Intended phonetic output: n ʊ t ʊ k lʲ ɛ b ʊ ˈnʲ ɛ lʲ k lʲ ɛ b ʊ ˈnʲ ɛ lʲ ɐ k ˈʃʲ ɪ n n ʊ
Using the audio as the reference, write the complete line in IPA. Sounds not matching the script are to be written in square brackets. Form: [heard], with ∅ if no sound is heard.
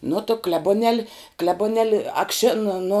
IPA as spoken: n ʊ t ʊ k lʲ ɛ b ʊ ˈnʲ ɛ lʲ k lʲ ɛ b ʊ ˈnʲ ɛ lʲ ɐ k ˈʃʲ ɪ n n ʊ